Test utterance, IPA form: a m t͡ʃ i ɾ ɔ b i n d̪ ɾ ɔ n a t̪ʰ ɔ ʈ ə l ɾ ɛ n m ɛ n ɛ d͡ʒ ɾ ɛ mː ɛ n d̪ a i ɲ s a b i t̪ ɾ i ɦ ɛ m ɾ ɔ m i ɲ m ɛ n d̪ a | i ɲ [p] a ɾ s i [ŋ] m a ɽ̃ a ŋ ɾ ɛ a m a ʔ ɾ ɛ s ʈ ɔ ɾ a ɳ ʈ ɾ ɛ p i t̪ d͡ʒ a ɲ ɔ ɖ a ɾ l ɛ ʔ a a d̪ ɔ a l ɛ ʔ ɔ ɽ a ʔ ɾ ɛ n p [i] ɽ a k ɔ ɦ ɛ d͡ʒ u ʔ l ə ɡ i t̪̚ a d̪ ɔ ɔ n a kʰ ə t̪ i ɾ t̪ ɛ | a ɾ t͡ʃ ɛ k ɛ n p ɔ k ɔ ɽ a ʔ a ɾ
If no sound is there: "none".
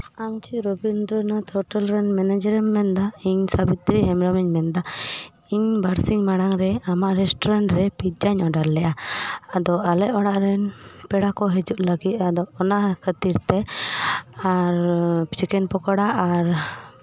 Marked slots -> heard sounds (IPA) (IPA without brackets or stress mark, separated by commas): b, ŋ, ɛ